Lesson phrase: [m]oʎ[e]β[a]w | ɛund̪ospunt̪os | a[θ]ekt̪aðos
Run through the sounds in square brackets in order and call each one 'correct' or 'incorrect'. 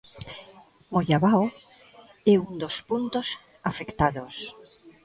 correct, incorrect: a, correct, incorrect: f

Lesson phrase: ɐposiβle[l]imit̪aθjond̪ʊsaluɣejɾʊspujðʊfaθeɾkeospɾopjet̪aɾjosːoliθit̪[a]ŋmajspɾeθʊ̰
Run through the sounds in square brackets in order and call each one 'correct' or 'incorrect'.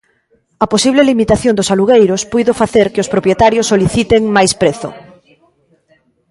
correct, incorrect: e

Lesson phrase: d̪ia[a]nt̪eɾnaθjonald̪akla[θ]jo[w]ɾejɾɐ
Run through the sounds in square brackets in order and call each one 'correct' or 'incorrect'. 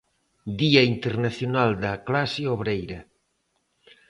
incorrect: i, incorrect: s, incorrect: β

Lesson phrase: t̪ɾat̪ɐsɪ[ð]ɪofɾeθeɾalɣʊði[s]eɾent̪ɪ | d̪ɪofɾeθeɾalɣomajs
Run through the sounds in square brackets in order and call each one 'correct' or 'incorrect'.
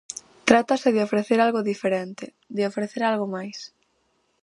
correct, incorrect: f

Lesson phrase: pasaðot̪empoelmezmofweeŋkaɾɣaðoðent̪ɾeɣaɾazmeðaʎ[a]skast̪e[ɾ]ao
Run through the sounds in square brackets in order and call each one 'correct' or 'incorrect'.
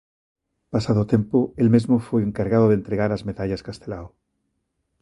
correct, incorrect: l

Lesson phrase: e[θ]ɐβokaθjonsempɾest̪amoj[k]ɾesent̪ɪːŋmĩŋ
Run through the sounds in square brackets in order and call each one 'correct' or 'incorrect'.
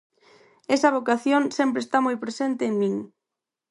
incorrect: s, incorrect: p

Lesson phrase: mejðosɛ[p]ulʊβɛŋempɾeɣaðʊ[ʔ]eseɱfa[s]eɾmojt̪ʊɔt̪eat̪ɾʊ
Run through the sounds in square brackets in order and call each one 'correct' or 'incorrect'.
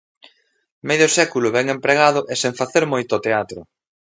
incorrect: k, correct, incorrect: θ

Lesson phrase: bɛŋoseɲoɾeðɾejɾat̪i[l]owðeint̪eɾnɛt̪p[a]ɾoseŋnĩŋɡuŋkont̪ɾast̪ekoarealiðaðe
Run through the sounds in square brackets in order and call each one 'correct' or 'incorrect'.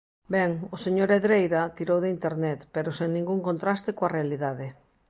incorrect: ɾ, incorrect: e

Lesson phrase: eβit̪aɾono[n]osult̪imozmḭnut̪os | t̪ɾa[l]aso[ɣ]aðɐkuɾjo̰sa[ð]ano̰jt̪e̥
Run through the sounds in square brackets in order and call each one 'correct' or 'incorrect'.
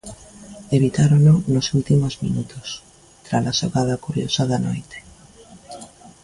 correct, correct, correct, correct

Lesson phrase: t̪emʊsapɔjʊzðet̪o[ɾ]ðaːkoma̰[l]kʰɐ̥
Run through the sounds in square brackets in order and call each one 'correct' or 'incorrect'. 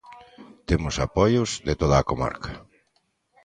incorrect: none, incorrect: ɾ

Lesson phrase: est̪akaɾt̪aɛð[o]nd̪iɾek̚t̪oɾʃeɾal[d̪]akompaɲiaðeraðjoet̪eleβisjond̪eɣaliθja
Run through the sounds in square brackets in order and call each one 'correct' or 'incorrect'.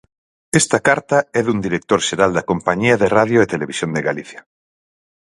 incorrect: u, correct

